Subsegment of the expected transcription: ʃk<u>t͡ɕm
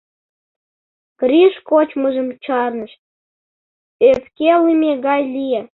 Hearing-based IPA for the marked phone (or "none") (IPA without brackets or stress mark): o